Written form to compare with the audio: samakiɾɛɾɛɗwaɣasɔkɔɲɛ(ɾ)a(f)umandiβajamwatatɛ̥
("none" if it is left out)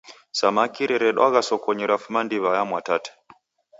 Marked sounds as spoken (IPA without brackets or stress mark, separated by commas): ɾ, f